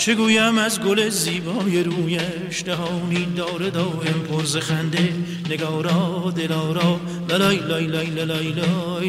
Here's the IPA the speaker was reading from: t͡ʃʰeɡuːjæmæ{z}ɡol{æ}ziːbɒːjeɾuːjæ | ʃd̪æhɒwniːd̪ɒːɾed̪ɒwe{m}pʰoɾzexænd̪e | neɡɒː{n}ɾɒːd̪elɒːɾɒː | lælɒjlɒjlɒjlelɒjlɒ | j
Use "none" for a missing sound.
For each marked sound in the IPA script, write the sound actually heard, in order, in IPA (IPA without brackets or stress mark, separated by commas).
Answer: z, e, m, none